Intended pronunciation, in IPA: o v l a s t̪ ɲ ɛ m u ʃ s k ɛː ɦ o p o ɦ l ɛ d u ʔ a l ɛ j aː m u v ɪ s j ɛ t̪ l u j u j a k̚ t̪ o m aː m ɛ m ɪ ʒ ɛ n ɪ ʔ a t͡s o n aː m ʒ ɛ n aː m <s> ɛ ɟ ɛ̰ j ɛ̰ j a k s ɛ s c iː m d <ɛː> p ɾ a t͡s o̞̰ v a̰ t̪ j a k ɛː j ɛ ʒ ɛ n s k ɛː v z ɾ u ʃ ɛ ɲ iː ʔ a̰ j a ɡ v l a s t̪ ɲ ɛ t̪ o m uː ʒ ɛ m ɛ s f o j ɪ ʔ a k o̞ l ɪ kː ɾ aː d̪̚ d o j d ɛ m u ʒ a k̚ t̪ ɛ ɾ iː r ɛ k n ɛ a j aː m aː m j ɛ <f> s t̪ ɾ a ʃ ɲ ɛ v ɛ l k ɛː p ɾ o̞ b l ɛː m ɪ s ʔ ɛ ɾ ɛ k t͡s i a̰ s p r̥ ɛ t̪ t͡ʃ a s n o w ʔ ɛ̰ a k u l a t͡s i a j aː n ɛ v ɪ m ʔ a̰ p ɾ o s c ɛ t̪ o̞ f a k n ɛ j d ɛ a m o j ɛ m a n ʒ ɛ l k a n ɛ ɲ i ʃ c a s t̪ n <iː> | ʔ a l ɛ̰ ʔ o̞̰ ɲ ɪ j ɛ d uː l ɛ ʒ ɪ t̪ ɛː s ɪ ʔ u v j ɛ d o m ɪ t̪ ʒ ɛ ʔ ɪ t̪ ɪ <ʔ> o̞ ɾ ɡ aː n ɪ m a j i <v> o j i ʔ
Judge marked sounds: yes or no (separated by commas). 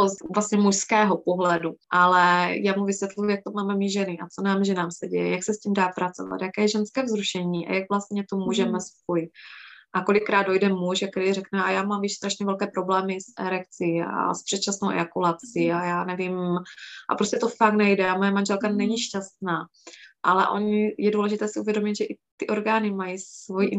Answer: yes, no, no, no, yes, yes